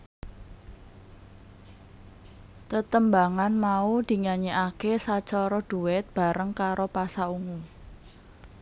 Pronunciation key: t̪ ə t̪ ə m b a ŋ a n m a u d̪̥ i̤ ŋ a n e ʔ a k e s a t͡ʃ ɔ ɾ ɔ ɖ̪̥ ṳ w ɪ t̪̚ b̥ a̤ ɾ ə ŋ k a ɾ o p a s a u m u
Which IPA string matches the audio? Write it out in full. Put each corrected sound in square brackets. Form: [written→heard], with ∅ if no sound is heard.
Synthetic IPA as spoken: t̪ ə t̪ ə m b a ŋ a n m a u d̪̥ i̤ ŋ a [n→ɲ] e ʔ a k e s a t͡ʃ ɔ ɾ ɔ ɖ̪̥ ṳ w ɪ t̪̚ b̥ a̤ ɾ ə ŋ k a ɾ o p a s a u [m→ŋ] u